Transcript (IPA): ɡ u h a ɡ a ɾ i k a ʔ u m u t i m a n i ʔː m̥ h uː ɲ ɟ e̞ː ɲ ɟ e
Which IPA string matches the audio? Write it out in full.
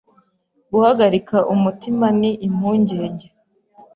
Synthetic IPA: ɡ u h a ɡ a ɾ i k a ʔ u m u t i m a n i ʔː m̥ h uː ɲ ɟ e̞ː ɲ ɟ e